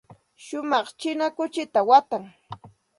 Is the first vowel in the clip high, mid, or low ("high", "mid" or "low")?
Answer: high